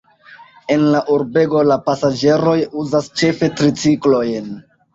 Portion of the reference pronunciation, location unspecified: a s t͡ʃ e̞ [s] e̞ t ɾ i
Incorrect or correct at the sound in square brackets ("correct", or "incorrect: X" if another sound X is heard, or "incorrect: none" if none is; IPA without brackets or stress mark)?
incorrect: f